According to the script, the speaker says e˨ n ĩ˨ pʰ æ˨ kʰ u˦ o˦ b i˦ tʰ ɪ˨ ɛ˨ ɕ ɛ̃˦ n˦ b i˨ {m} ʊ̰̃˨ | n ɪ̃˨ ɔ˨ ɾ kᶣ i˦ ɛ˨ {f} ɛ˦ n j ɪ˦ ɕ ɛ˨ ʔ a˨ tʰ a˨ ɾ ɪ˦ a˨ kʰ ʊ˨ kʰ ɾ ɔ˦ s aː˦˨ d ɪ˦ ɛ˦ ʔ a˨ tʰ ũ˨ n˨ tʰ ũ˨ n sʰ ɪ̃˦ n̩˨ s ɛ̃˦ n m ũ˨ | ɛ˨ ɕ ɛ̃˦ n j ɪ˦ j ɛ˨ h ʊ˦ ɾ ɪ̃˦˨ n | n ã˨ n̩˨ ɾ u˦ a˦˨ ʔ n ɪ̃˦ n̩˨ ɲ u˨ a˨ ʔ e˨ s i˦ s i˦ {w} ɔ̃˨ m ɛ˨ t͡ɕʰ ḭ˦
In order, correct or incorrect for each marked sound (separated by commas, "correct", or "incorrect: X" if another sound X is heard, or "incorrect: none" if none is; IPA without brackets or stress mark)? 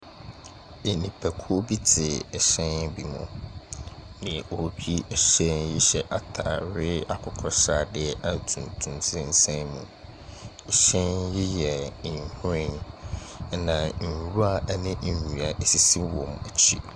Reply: correct, incorrect: ɕ, correct